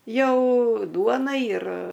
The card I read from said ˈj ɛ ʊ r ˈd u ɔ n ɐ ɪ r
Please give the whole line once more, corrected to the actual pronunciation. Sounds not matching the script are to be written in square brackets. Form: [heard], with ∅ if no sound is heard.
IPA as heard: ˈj ɛ ʊ [∅] ˈd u ɔ n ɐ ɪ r

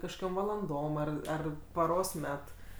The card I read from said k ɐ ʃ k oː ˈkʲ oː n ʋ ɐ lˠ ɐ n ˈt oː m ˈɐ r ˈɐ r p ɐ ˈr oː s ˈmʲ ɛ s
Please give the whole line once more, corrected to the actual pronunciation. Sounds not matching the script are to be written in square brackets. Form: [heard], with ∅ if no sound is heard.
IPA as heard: k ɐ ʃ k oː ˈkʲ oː [m] ʋ ɐ lˠ ɐ n [ˈd] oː m ˈɐ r ˈɐ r p ɐ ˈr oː s ˈmʲ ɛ [t]

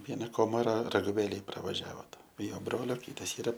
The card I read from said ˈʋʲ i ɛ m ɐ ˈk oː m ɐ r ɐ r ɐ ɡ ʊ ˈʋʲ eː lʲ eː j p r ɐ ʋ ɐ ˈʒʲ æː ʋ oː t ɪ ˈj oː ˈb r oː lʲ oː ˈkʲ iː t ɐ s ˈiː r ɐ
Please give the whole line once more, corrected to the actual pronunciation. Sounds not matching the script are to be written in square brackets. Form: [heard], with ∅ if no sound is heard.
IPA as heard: ˈʋʲ i ɛ [n] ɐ ˈk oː m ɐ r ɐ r ɐ ɡ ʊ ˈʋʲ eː lʲ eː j p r ɐ ʋ ɐ ˈʒʲ æː ʋ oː t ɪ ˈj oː ˈb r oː lʲ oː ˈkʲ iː t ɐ s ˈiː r ɐ

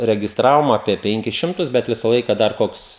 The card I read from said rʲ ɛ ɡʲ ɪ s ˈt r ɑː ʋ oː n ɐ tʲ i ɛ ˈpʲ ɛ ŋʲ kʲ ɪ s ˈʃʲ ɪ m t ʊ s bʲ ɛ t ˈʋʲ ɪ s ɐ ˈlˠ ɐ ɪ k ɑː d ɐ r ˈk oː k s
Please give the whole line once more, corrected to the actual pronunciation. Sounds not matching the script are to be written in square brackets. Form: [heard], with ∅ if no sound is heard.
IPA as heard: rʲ ɛ ɡʲ ɪ s ˈt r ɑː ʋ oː [m] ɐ [pʲ] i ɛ ˈpʲ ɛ ŋʲ kʲ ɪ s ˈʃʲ ɪ m t ʊ s bʲ ɛ t ˈʋʲ ɪ s ɐ ˈlˠ ɐ ɪ k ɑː d ɐ r ˈk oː k s

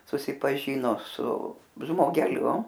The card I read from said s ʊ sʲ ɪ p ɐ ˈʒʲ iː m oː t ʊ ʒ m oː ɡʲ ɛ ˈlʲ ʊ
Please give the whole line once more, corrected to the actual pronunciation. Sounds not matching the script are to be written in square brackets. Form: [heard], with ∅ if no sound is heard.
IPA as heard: s ʊ sʲ ɪ p ɐ ˈʒʲ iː [n] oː [s] ʊ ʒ m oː ɡʲ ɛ ˈlʲ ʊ

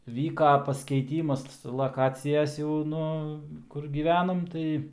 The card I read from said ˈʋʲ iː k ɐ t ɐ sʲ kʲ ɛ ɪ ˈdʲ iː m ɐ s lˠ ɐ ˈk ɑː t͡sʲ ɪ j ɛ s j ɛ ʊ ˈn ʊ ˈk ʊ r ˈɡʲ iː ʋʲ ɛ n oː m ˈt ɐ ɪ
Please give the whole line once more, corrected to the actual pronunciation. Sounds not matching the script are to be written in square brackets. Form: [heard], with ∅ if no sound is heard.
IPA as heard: ˈʋʲ iː k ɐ [p] ɐ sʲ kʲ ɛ ɪ [ˈtʲ] iː m ɐ s lˠ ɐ ˈk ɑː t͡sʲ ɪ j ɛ s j ɛ ʊ ˈn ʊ ˈk ʊ r ˈɡʲ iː ʋʲ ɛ n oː m ˈt ɐ ɪ

